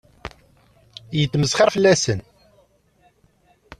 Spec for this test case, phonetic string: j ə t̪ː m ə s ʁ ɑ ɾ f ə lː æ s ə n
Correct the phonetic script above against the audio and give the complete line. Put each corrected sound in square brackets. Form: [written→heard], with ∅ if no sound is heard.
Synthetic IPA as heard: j ə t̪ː m ə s [ʁ→χ] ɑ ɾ f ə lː æ s ə n